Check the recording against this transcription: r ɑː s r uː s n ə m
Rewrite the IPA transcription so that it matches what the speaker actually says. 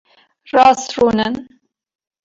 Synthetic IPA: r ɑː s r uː n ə n